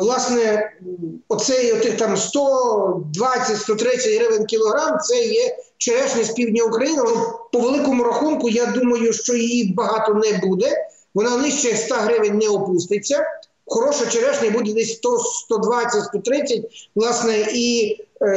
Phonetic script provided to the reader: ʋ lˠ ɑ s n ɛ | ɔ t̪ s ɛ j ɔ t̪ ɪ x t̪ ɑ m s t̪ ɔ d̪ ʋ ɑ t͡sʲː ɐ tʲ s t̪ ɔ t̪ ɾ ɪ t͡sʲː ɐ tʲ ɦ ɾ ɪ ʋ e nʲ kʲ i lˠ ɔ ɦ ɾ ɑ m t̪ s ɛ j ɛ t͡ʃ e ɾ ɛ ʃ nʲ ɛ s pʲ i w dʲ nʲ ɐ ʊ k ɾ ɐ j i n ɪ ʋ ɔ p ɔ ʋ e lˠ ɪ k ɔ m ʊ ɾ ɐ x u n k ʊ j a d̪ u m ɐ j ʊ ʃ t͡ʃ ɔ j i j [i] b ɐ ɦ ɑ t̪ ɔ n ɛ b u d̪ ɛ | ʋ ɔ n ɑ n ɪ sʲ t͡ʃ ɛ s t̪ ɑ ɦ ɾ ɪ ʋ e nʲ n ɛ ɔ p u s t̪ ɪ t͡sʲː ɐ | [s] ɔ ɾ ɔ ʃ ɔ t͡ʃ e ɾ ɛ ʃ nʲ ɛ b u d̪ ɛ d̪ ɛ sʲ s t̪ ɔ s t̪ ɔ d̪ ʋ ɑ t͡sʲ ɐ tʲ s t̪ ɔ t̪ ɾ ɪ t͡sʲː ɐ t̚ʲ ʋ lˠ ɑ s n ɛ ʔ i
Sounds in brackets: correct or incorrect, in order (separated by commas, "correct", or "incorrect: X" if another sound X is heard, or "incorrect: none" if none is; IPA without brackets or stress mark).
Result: correct, incorrect: x